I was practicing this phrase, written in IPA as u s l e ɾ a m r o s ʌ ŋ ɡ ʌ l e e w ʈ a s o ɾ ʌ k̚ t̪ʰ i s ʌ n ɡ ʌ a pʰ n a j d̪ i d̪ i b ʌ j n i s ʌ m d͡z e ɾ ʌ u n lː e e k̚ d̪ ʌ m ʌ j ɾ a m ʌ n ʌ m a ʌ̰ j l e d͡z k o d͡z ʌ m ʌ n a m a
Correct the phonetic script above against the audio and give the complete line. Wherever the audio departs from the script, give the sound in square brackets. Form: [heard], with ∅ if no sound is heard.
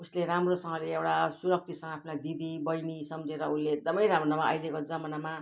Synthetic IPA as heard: u s l e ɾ a m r o s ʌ ŋ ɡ ʌ l e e w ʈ a s [u] ɾ ʌ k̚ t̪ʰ i s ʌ [ŋ] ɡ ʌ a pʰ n a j d̪ i d̪ i b ʌ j n i s ʌ m d͡z e ɾ ʌ u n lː e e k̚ d̪ ʌ m ʌ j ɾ a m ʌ n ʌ m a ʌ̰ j l e [∅] k o d͡z ʌ m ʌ n a m a